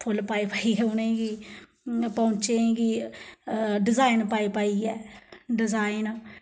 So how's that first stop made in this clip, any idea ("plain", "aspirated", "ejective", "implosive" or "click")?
aspirated